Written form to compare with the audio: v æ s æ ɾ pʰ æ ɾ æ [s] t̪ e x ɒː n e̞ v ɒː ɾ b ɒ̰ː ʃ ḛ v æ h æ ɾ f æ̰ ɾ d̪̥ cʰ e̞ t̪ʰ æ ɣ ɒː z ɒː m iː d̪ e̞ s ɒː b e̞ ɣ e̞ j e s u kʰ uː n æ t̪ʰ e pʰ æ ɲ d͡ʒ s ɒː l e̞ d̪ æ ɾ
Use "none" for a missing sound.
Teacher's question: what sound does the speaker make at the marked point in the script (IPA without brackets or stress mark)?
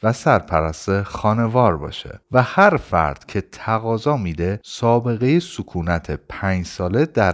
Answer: s